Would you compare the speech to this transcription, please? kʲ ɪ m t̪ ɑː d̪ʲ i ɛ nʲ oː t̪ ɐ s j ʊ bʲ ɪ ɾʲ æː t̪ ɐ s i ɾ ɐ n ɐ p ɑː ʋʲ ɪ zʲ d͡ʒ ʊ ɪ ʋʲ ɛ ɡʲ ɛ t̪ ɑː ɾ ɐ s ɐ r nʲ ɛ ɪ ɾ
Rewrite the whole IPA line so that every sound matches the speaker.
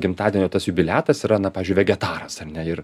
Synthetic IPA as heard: ɡʲ ɪ m t̪ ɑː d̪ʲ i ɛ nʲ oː t̪ ɐ s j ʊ bʲ ɪ lʲ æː t̪ ɐ s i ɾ ɐ n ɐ p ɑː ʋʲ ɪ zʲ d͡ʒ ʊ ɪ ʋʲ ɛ ɡʲ ɛ t̪ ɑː ɾ ɐ s ɐ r nʲ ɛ ɪ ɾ